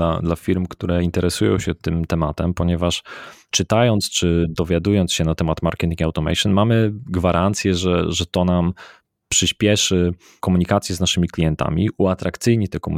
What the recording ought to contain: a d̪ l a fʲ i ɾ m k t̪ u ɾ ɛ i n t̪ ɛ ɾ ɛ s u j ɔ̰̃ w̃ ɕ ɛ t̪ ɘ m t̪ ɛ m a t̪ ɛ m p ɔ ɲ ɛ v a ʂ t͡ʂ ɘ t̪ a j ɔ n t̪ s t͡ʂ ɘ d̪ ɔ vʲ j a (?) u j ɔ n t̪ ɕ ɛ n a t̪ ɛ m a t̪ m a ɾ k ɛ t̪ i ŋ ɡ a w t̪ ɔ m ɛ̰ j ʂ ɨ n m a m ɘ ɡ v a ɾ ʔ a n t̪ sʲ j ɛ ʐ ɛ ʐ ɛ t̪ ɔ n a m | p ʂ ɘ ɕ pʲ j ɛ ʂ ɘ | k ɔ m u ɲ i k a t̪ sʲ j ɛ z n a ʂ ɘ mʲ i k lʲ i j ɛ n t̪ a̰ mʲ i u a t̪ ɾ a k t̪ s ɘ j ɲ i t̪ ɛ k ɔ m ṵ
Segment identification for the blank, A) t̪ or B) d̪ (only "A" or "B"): B